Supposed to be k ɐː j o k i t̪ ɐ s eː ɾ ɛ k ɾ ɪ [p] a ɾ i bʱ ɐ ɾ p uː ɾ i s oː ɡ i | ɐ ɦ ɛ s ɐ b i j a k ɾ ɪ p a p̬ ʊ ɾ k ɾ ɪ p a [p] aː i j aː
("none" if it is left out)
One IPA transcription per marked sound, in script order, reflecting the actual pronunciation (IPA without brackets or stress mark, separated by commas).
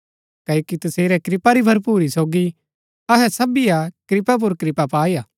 p, p